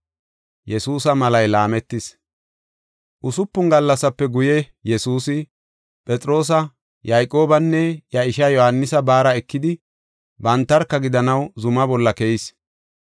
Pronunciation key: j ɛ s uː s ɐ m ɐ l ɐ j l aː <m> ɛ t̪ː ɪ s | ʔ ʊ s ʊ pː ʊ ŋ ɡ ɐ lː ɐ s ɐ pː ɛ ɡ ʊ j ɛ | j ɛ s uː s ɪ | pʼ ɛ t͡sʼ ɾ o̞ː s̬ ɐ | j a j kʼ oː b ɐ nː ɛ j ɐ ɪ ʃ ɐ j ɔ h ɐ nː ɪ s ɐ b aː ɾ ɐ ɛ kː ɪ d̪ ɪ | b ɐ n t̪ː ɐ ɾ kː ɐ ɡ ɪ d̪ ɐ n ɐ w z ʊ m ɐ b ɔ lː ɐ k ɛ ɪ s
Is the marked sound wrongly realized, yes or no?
no